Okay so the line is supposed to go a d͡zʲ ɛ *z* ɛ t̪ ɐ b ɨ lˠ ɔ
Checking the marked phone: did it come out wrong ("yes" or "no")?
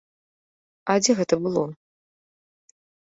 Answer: yes